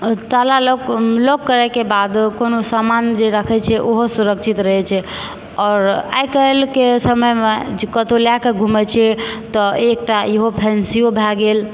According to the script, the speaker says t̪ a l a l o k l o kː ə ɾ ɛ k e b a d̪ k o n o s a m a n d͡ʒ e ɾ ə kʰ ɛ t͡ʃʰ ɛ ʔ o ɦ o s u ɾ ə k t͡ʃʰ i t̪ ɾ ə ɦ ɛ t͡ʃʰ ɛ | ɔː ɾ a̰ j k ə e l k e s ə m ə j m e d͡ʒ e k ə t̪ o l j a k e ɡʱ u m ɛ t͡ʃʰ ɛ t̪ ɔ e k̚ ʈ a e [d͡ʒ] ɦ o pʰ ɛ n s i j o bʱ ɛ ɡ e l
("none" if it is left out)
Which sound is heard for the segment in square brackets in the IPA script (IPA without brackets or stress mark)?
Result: none